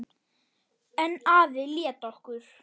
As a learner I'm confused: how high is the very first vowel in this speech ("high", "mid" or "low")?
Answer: mid